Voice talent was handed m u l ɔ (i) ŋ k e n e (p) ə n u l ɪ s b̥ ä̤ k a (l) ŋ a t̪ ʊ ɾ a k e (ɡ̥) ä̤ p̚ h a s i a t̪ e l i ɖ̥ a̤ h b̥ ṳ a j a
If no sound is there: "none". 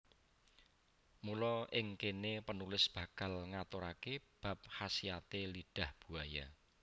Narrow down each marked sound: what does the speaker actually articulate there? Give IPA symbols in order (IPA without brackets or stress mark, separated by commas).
ɪ, p, l, b̥